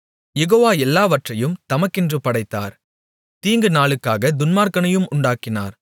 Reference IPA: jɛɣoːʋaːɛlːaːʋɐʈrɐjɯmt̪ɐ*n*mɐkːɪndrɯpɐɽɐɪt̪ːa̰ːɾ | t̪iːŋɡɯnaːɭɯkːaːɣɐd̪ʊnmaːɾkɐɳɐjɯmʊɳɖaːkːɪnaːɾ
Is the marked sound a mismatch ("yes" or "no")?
yes